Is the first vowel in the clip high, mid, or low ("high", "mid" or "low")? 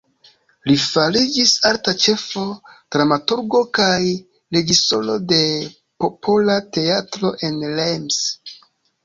high